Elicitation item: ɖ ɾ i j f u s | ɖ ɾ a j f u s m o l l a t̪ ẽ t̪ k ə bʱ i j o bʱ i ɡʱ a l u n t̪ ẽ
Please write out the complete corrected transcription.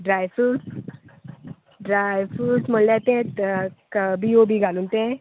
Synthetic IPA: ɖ ɾ a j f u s | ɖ ɾ a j f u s m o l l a t̪ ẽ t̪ k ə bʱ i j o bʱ i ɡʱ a l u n t̪ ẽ